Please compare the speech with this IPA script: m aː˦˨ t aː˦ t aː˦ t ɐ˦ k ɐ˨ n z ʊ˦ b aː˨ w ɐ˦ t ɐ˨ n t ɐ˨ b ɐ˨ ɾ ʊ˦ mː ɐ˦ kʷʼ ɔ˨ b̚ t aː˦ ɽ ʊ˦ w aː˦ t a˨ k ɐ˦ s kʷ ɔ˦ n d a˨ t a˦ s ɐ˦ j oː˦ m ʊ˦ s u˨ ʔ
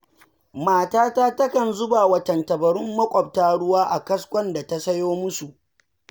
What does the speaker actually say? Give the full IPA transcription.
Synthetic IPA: m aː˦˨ t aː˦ t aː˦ t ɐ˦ k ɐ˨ n z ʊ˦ b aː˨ w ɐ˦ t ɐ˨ n t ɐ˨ b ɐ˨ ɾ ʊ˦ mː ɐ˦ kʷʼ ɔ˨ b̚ t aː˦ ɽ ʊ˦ w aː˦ ʔ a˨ k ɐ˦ s kʷ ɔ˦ n d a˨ t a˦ s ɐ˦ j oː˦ m ʊ˦ s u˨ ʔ